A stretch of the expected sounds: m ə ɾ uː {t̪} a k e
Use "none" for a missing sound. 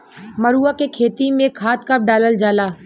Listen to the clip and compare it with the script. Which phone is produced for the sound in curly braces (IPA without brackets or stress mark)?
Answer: none